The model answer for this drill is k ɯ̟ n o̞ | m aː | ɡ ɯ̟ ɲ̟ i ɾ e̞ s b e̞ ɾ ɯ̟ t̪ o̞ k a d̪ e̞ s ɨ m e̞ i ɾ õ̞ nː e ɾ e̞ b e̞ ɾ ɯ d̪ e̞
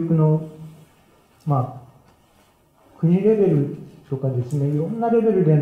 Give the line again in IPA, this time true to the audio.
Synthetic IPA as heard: k ɯ̟ n o̞ | m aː | k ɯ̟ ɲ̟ i ɾ e̞ b e̞ ɾ ɯ̟ t̪ o̞ k a d̪ e̞ s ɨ n e̞ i ɾ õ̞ nː a ɾ e̞ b e̞ ɾ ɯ d̪ e̞